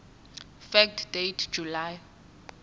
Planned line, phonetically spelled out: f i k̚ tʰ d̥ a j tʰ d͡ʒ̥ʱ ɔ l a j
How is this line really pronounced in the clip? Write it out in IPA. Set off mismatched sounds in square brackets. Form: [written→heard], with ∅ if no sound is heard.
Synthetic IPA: f [i→ɛ] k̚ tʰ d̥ [a→e] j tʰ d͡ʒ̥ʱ [ɔ→u] l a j